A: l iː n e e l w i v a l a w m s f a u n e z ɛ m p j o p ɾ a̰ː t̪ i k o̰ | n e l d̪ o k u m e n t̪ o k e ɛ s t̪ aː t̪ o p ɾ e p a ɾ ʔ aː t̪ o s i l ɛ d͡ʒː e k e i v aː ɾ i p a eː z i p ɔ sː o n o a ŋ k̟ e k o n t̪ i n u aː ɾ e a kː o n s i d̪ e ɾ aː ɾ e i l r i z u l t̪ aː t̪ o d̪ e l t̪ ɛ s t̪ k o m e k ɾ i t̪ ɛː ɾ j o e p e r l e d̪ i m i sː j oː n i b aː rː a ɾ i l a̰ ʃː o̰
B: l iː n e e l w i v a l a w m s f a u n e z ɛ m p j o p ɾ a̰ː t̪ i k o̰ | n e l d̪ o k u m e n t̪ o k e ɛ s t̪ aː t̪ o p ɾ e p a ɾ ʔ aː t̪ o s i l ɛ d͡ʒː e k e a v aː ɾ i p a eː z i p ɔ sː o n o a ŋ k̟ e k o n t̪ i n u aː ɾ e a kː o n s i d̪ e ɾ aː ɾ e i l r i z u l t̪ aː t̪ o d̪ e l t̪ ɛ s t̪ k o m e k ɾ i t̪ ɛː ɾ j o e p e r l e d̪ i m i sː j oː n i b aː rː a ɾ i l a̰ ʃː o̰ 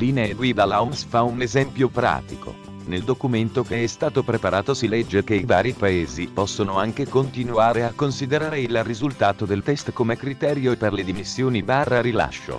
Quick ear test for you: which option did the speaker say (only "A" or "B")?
A